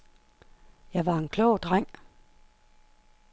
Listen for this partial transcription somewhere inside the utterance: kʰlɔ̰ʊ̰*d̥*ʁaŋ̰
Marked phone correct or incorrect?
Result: correct